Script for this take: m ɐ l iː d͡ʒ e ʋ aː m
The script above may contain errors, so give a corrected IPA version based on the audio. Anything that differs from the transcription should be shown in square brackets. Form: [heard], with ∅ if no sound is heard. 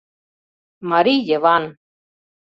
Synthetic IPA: m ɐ [ɾ] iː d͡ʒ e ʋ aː [n]

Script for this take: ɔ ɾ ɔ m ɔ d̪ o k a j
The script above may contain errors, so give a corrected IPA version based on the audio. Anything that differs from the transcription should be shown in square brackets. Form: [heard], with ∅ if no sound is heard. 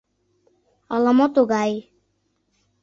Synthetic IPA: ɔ [l] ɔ m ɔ [t̪] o [ɡ] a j

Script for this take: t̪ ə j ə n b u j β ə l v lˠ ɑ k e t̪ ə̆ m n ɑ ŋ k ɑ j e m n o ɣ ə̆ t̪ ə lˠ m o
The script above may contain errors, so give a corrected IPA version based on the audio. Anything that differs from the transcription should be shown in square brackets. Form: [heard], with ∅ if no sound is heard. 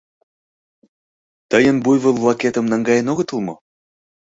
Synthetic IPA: t̪ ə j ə n b u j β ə l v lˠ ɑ k e t̪ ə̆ m n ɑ ŋ [ɡ] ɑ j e [∅] n o ɣ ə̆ t̪ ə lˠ m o

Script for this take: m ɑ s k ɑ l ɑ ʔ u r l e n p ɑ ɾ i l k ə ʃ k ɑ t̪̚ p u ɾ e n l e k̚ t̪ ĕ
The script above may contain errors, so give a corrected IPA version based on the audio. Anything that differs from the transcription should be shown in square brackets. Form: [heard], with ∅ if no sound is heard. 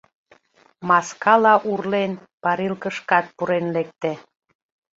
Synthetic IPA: m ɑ s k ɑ l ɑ ʔ u r l e n p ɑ ɾ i l k ə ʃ k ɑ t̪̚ p u ɾ e n l e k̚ t̪ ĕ

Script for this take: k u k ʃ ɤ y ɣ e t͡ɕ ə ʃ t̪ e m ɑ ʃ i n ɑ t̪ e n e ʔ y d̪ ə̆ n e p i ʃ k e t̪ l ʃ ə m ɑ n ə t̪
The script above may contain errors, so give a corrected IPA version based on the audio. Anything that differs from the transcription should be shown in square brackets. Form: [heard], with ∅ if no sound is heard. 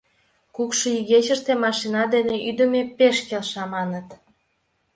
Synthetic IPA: k u k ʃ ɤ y ɣ e t͡ɕ ə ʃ t̪ e m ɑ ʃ i n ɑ [d̪] e n e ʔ y d̪ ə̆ [m] e p [e] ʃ k e [∅] l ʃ [ɑ] m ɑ n ə t̪

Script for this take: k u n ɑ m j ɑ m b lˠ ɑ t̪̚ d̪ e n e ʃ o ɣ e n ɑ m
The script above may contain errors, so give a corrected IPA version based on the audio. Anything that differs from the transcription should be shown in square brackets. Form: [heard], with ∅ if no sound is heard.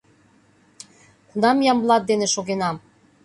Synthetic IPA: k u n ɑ m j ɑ m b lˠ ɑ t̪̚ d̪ e n e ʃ o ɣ e n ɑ m

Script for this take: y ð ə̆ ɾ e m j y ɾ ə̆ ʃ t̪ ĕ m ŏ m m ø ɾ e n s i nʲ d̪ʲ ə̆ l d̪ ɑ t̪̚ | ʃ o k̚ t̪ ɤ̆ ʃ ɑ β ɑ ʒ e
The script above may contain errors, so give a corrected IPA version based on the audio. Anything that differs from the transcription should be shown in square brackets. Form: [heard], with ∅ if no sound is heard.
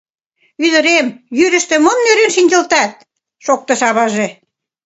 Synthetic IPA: y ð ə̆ ɾ e m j y ɾ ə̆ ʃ t̪ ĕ m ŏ m [n] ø ɾ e n [ʃ] i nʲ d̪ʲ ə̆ l [t̪] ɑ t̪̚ | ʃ o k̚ t̪ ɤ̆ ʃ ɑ β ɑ ʒ e

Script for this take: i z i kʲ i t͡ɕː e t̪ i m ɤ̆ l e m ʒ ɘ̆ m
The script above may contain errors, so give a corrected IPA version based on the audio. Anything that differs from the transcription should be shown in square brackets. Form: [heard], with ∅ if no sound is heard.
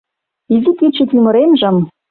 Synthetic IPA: i z i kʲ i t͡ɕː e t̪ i m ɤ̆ [ɾ] e m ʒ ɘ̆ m

